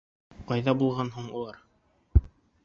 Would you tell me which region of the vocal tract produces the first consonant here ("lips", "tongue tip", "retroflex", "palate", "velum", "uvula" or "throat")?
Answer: uvula